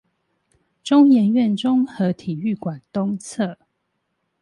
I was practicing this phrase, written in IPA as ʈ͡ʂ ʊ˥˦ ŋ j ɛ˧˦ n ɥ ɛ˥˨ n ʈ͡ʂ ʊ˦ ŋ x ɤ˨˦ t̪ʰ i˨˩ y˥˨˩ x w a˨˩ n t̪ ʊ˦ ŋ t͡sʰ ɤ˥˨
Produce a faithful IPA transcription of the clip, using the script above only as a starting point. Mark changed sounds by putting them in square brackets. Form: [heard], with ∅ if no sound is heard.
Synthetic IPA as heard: ʈ͡ʂ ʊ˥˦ ŋ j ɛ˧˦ n ɥ ɛ˥˨ n ʈ͡ʂ ʊ˦ ŋ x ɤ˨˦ t̪ʰ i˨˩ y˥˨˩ [k] w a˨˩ n t̪ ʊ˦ ŋ t͡sʰ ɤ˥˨